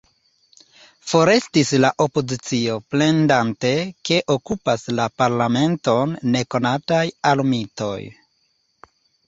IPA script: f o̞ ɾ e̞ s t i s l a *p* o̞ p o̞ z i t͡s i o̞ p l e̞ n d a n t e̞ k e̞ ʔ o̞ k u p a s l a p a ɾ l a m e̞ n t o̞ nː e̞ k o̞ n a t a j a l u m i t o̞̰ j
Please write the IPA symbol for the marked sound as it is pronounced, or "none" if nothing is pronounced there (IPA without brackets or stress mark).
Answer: ʔ